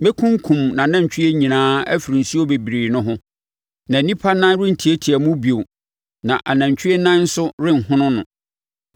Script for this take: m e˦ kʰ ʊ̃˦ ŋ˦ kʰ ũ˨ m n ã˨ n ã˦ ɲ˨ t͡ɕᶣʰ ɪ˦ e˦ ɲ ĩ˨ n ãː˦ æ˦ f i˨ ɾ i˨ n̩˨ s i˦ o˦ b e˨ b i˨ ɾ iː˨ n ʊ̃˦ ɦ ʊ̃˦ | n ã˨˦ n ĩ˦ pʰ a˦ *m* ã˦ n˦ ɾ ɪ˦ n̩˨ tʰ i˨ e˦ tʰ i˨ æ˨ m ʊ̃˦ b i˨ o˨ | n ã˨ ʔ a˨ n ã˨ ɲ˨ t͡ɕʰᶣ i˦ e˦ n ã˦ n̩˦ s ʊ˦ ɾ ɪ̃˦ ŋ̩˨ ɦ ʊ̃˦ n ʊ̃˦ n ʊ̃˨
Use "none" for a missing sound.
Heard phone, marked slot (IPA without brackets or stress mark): n